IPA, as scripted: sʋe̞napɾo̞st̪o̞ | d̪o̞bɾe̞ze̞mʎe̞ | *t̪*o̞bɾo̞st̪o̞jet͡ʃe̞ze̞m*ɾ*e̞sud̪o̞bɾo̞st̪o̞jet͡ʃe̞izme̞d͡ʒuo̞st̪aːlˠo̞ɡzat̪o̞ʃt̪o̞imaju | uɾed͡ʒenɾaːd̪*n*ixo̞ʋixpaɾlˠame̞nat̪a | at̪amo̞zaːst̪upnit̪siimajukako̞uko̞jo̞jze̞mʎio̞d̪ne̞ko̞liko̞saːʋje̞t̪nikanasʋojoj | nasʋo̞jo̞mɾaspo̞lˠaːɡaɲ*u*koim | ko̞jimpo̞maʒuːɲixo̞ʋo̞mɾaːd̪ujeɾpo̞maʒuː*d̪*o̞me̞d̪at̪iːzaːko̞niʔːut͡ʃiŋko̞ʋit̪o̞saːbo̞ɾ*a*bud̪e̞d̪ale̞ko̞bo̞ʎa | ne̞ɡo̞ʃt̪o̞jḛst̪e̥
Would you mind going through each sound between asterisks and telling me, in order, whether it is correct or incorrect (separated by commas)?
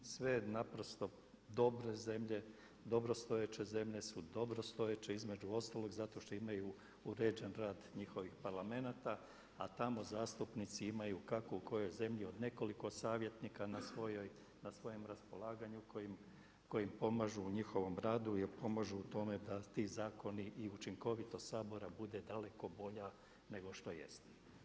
incorrect, incorrect, incorrect, correct, incorrect, correct